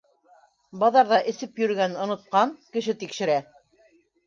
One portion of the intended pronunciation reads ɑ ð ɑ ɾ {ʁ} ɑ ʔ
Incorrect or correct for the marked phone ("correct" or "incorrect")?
incorrect